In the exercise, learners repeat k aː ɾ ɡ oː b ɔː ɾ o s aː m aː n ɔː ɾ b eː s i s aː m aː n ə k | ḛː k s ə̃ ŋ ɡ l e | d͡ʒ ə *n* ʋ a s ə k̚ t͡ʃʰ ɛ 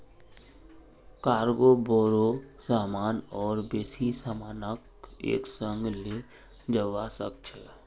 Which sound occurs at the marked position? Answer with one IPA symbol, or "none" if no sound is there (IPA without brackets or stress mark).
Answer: none